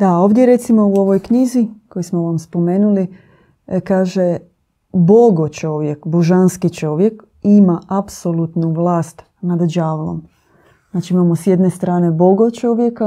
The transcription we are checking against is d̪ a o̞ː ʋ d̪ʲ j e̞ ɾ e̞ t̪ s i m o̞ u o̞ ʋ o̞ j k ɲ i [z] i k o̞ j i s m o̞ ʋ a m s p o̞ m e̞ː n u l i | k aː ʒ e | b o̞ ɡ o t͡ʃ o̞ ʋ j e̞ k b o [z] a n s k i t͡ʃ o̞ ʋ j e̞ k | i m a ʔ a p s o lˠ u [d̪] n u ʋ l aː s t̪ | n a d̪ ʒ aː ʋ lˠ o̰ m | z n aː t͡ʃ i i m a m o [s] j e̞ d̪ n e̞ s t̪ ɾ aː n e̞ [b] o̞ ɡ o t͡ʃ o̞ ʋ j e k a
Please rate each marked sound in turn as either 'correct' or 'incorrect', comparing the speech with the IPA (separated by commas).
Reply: correct, incorrect, incorrect, correct, correct